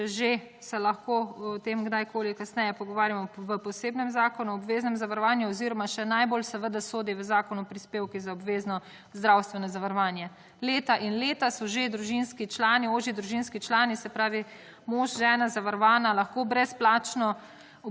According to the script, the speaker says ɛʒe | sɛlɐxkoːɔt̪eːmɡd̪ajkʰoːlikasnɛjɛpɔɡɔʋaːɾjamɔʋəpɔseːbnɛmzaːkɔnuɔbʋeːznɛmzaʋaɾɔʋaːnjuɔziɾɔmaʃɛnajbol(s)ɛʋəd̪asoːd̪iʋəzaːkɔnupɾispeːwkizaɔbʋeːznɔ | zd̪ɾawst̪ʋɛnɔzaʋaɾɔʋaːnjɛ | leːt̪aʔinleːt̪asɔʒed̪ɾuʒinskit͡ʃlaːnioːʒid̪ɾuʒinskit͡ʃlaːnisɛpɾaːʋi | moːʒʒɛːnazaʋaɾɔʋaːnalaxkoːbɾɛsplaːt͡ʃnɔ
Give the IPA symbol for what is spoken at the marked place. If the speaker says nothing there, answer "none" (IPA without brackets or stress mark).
s